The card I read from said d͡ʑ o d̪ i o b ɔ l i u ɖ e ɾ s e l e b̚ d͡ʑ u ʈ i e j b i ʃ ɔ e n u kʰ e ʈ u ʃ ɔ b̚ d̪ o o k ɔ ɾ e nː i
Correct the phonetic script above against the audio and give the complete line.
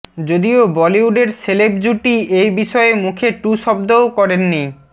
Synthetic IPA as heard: d͡ʑ o d̪ i o b ɔ l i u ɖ e ɾ s e l e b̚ d͡ʑ u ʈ i e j b i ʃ ɔ e m u kʰ e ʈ u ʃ ɔ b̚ d̪ o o k ɔ ɾ e nː i